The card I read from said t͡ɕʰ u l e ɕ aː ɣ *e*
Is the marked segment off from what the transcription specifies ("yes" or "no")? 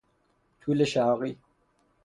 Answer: yes